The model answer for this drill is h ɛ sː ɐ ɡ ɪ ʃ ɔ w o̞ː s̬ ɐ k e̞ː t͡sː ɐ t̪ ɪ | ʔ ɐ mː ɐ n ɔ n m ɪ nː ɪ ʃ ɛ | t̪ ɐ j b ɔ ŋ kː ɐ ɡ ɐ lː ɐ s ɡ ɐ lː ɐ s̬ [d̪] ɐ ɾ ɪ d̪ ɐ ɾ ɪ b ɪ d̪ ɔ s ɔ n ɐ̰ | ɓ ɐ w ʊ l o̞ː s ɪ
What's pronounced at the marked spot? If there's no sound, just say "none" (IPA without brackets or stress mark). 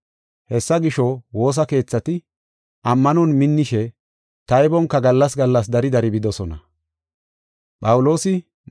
d̪